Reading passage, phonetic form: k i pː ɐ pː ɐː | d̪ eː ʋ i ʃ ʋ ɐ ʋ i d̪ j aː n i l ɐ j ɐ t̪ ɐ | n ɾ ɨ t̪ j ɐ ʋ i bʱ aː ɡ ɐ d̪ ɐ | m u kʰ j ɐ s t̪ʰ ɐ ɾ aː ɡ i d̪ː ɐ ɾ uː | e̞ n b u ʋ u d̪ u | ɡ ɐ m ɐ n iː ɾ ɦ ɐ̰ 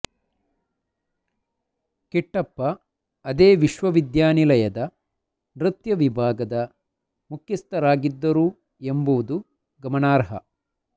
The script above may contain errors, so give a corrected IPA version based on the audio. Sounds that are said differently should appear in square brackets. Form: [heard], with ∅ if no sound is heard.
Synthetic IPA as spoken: k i [ʈː] ɐ pː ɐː | d̪ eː ʋ i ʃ ʋ ɐ ʋ i d̪ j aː n i l ɐ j ɐ [d̪] ɐ | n ɾ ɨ t̪ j ɐ ʋ i bʱ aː ɡ ɐ d̪ ɐ | m u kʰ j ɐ s [t̪] ɐ ɾ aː ɡ i d̪ː ɐ ɾ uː | e̞ [m] b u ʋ u d̪ u | ɡ ɐ m ɐ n [aː] ɾ ɦ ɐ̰

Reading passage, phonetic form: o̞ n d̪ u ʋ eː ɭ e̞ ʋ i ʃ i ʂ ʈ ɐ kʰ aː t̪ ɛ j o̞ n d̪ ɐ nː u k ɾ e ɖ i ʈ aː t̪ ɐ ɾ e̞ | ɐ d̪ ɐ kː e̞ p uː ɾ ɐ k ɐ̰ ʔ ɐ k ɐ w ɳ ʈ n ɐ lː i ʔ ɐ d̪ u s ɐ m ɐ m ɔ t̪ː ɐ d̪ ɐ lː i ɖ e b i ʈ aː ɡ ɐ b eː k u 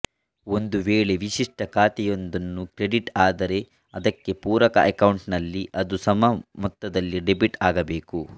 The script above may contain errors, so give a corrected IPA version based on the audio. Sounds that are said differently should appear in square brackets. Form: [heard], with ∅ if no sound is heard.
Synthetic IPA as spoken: o̞ n d̪ u ʋ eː ɭ e̞ ʋ i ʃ i ʂ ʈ ɐ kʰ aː t̪ ɛ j o̞ n d̪ ɐ nː u k ɾ e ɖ i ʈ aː [d̪] ɐ ɾ e̞ | ɐ d̪ ɐ kː e̞ p uː ɾ ɐ k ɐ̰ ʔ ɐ k ɐ w ɳ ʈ n ɐ lː i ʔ ɐ d̪ u s ɐ m ɐ m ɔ t̪ː ɐ d̪ ɐ lː i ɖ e b i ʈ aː ɡ ɐ b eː k u

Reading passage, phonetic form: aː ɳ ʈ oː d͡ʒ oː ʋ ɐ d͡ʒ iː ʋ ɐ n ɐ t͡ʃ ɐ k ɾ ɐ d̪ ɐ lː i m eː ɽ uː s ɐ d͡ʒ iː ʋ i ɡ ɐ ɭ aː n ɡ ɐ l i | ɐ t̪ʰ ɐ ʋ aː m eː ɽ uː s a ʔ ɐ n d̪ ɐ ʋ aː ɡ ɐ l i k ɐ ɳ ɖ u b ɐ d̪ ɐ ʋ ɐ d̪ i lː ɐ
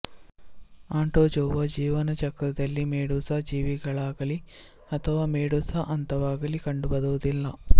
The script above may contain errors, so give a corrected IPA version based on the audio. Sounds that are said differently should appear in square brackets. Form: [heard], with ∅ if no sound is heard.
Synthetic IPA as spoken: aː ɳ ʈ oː d͡ʒ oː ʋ ɐ d͡ʒ iː ʋ ɐ n ɐ t͡ʃ ɐ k ɾ ɐ d̪ ɐ lː i m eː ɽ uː s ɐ d͡ʒ iː ʋ i ɡ ɐ ɭ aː [∅] ɡ ɐ l i | ɐ t̪ʰ ɐ ʋ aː m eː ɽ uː s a ʔ ɐ n [t̪] ɐ ʋ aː ɡ ɐ l i k ɐ ɳ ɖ u b ɐ d̪ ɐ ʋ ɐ d̪ i lː ɐ

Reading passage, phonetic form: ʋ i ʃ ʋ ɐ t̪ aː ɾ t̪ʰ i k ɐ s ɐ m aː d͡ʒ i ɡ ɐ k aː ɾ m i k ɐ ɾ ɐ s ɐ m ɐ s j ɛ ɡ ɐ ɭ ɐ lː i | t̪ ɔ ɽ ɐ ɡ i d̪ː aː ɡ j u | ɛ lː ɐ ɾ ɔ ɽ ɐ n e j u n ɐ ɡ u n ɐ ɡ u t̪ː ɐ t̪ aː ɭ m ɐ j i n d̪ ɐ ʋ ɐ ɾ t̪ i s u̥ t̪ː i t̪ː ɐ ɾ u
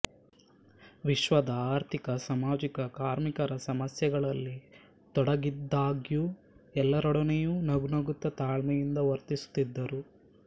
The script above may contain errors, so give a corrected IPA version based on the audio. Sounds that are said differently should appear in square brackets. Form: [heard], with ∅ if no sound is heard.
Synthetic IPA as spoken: ʋ i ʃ ʋ ɐ [d̪] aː ɾ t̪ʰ i k ɐ s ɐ m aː d͡ʒ i [k] ɐ k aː ɾ m i k ɐ ɾ ɐ s ɐ m ɐ s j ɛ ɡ ɐ ɭ ɐ lː i | t̪ ɔ ɽ ɐ ɡ i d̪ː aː ɡ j u | ɛ lː ɐ ɾ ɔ ɽ ɐ n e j u n ɐ ɡ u n ɐ ɡ u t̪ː ɐ t̪ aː ɭ m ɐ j i n d̪ ɐ ʋ ɐ ɾ t̪ i s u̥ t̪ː i [d̪ː] ɐ ɾ u

